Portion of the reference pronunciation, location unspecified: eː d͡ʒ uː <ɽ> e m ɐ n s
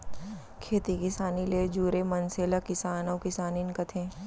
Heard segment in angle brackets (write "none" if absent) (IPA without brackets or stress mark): ɾ